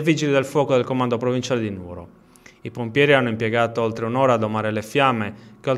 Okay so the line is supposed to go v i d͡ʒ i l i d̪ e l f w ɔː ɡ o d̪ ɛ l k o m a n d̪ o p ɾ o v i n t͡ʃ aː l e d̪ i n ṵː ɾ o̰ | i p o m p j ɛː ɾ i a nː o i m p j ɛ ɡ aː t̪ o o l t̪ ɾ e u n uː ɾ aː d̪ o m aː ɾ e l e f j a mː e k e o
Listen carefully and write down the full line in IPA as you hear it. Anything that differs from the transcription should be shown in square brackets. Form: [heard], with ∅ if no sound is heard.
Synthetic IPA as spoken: v i d͡ʒ i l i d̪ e l f w ɔː [k] o d̪ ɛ l k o m a n d̪ o p ɾ o v i n t͡ʃ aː l e d̪ i n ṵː ɾ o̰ | i p o m p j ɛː ɾ i a nː o i m p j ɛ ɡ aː t̪ o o l t̪ ɾ e u n [ɔː] ɾ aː d̪ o m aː ɾ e l e f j a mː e k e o